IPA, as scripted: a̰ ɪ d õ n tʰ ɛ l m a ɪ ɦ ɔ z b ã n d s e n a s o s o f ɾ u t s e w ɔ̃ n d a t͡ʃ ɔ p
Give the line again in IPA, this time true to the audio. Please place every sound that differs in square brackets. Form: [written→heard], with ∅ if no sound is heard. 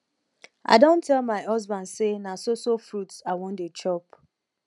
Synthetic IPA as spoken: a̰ ɪ d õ n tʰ ɛ l m a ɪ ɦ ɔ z b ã n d s e n a s o s o f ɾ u t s [e→a] w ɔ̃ n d [a→e] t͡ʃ ɔ p